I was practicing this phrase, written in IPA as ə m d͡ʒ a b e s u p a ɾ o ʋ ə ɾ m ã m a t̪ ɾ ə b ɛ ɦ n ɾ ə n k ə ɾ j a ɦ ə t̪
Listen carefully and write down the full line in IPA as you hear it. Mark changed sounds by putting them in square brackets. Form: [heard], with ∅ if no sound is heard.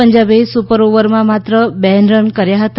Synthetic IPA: ə [ɲ] d͡ʒ a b e s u p [ə] ɾ o ʋ ə ɾ m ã m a t̪ ɾ ə b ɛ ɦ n ɾ ə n k ə ɾ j a ɦ ə t̪